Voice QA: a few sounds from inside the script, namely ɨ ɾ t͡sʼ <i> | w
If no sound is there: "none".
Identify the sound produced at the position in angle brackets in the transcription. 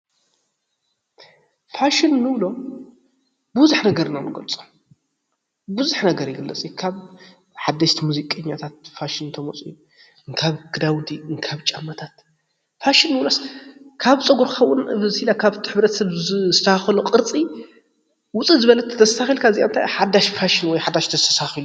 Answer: i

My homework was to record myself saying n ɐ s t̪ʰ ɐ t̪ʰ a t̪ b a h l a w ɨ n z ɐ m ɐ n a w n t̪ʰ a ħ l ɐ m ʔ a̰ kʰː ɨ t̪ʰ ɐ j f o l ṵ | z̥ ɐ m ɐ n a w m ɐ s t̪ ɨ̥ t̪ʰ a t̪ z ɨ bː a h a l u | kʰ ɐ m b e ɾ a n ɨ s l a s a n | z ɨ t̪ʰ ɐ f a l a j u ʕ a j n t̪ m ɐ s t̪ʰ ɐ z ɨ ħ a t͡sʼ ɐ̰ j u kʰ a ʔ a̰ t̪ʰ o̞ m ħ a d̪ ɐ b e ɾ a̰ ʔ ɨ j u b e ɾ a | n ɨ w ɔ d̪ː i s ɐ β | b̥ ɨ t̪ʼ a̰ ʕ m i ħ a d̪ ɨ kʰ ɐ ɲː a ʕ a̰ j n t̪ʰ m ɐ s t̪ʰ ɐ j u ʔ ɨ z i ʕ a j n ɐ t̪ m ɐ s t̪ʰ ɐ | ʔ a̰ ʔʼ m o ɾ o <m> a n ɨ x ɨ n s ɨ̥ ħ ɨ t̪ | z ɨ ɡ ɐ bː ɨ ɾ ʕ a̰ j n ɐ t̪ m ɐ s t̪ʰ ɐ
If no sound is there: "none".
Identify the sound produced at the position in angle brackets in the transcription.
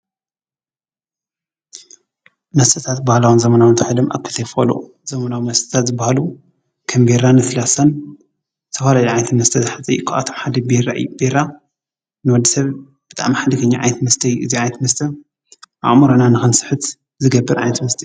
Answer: n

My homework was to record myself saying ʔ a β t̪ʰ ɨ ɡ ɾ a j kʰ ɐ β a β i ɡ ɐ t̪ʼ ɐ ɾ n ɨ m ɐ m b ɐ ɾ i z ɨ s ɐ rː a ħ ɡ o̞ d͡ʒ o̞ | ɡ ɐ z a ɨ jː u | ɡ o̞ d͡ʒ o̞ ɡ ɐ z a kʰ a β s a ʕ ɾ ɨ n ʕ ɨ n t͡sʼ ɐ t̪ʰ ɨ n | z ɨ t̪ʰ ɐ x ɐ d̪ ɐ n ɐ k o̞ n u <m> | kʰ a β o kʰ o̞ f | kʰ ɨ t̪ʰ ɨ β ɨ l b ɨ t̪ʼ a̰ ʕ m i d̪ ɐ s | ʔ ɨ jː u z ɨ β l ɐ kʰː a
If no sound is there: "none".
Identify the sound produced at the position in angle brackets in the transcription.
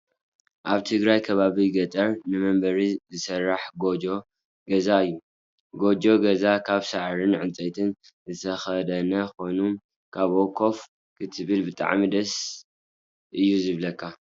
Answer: m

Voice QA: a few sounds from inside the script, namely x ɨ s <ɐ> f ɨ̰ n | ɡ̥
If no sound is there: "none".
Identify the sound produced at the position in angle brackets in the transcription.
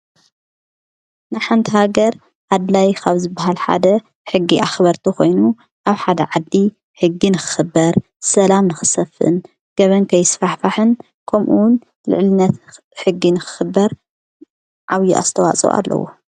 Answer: ɐ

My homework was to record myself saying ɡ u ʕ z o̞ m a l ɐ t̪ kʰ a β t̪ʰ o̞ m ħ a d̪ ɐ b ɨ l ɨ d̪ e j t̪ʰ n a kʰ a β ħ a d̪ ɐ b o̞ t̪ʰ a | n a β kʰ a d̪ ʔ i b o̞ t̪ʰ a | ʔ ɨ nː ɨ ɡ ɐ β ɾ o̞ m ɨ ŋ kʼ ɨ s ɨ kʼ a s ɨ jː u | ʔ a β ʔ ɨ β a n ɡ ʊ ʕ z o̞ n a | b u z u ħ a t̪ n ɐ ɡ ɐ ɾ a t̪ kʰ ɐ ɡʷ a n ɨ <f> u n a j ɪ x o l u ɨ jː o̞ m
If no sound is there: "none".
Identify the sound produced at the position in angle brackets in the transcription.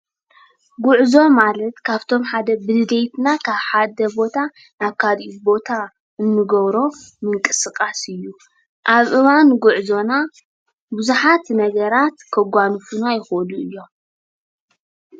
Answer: f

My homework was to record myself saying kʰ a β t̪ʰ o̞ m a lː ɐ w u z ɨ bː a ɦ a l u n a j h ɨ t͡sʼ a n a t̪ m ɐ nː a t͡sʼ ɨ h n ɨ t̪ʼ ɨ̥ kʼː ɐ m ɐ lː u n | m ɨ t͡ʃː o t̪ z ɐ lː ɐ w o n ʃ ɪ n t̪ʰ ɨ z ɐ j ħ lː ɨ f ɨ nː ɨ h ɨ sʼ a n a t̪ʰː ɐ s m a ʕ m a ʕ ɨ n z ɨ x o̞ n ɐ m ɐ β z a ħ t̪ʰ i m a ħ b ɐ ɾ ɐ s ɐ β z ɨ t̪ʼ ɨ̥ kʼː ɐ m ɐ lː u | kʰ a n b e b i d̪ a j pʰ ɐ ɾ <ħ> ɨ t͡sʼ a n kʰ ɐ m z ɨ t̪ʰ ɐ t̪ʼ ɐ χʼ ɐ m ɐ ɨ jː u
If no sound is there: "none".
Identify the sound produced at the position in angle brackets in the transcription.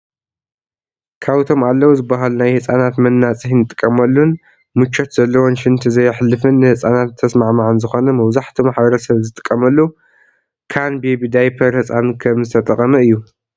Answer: h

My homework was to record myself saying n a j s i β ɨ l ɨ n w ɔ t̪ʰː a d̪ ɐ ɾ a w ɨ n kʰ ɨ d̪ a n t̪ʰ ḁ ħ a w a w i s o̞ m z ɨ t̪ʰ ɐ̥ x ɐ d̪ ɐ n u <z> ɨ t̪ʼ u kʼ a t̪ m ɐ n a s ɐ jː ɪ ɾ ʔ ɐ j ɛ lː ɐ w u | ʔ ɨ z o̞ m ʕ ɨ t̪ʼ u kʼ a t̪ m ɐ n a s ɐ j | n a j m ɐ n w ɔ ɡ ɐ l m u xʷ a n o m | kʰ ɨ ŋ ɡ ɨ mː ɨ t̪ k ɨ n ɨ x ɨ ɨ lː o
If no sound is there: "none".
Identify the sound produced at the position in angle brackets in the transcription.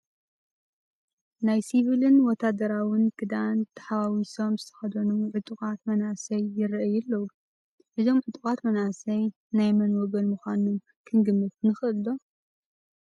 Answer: ʕ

